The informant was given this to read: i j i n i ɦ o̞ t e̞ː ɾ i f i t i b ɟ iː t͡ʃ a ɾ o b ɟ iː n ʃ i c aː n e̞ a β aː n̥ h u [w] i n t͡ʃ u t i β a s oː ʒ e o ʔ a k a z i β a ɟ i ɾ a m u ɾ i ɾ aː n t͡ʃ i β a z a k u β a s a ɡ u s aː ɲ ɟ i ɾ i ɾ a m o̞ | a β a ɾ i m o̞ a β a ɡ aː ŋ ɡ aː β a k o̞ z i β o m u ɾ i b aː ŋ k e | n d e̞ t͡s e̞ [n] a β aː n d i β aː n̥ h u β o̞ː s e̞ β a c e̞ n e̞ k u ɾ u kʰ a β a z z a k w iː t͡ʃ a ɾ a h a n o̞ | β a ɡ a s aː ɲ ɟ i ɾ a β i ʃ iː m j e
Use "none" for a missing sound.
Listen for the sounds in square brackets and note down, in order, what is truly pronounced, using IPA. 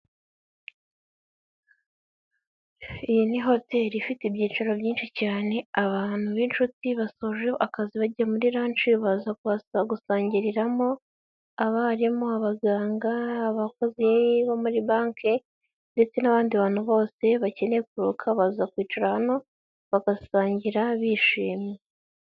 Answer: β, n

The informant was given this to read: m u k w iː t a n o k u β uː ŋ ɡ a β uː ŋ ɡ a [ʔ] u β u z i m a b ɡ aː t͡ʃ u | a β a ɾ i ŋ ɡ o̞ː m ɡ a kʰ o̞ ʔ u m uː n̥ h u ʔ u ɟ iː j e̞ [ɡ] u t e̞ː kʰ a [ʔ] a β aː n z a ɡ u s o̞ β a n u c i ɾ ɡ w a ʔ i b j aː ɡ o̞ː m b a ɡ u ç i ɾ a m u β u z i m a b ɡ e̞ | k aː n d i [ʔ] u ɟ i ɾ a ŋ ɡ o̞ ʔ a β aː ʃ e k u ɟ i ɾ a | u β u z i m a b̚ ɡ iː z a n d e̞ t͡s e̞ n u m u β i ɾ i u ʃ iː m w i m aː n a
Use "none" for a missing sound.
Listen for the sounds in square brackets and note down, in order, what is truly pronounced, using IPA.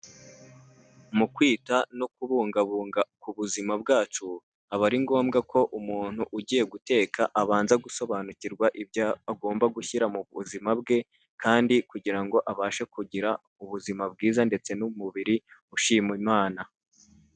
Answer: k, ɡ, ʔ, k

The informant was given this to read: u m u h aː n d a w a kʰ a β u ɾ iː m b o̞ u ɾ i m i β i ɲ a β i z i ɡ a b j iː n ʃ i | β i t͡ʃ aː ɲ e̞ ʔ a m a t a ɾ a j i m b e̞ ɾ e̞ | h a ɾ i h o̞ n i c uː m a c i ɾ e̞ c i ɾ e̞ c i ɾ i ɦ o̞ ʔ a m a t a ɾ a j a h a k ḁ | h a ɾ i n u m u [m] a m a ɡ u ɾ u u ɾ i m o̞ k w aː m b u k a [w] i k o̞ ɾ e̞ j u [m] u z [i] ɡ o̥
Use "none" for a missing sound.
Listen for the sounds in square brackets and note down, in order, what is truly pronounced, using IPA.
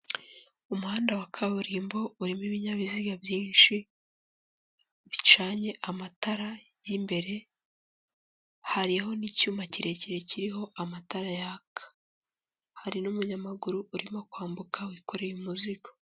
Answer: ɲ, w, m, i

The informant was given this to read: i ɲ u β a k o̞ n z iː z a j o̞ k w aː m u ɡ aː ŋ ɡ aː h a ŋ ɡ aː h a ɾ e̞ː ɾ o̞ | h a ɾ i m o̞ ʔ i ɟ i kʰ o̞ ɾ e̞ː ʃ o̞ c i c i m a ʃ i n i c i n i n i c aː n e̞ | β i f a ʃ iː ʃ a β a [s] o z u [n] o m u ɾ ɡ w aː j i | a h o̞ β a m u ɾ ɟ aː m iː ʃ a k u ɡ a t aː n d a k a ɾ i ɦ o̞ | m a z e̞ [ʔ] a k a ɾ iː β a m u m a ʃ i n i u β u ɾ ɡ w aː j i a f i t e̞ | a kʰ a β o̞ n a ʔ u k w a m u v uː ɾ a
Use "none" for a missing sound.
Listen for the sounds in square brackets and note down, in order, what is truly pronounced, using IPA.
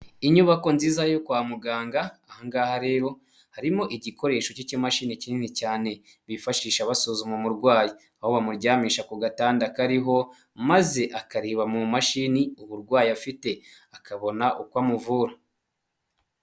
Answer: s, m, ʔ

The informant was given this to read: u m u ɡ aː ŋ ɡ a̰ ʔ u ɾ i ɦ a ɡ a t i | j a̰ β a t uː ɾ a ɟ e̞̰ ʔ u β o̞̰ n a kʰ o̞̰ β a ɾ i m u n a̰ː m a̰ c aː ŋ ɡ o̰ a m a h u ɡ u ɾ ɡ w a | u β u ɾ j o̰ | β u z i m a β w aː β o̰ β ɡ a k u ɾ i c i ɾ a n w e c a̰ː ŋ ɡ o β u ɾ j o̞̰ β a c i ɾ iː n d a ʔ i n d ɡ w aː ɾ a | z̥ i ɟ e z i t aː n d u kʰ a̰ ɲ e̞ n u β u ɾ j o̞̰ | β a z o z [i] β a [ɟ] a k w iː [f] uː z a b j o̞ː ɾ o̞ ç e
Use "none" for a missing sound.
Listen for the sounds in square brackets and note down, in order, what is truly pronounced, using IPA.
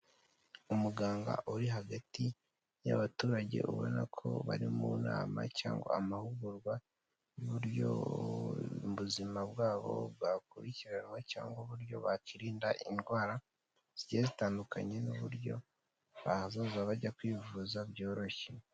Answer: a, ɟ, v

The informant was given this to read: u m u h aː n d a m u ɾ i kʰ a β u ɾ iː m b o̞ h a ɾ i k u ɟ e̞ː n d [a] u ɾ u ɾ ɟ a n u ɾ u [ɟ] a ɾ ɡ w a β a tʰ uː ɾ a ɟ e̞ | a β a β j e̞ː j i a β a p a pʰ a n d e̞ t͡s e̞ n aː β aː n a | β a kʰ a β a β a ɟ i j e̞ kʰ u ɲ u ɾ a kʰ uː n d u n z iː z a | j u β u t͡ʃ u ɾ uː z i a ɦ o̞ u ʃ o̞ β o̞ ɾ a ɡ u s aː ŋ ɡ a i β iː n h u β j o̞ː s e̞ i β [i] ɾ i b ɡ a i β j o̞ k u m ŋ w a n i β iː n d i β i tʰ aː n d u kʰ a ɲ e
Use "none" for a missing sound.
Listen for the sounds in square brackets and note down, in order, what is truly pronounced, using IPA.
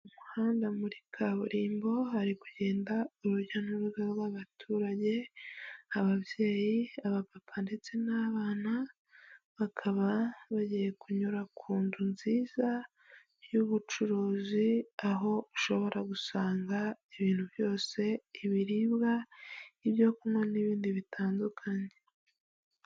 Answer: a, ɡ, i

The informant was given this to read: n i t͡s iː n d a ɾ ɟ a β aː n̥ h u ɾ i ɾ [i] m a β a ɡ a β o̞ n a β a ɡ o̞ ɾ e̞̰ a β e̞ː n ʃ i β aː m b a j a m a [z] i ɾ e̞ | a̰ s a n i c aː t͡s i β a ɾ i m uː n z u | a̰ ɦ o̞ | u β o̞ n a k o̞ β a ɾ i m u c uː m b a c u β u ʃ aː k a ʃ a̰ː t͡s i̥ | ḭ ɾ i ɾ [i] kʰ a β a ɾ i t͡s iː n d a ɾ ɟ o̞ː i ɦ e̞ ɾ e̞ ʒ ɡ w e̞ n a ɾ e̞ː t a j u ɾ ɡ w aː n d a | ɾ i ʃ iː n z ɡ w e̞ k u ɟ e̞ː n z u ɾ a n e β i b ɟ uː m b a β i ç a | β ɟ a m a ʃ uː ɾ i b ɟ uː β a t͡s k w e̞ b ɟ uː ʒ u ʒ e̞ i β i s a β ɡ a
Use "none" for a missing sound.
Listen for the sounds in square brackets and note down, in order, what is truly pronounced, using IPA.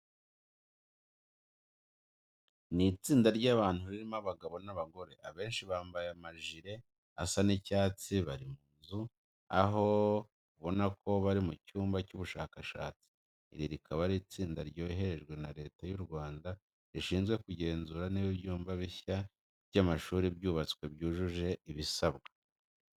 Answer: i, ʒ, i

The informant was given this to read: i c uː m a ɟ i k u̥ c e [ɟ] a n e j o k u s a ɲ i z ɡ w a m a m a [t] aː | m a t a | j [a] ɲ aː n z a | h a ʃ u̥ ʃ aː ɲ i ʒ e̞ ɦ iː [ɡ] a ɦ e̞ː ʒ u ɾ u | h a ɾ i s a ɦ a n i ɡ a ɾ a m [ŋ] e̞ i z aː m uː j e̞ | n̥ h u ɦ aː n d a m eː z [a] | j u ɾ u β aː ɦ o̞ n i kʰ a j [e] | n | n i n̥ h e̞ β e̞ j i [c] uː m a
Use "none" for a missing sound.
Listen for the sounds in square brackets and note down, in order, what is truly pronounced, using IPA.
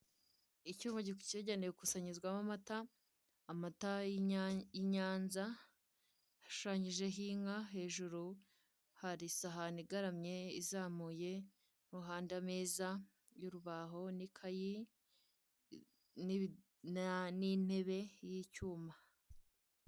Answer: ɟ, t, i, ŋ, ɲ, a, i, c

